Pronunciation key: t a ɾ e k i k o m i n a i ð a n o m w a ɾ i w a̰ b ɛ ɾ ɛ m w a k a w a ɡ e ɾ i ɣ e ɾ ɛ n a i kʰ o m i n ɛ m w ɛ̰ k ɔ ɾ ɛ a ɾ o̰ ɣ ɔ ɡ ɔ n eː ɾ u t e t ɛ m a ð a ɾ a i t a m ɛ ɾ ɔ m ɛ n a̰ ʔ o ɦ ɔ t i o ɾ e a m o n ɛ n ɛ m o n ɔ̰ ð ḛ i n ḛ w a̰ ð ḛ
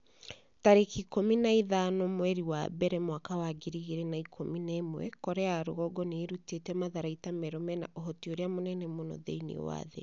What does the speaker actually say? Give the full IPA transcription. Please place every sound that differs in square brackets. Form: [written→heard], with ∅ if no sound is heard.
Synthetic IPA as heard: t a ɾ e k i k o m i n a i ð a n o m w [a→ɛ] ɾ i w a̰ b ɛ ɾ ɛ m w a k a w a ɡ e ɾ i ɣ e ɾ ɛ n a i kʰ o m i n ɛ m w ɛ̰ k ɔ ɾ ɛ a ɾ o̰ ɣ ɔ ɡ ɔ n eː ɾ u t e t ɛ m a ð a ɾ a i t a m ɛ ɾ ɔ m ɛ n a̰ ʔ o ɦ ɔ t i o ɾ e a m o n ɛ n ɛ m o n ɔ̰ ð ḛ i n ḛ w a̰ ð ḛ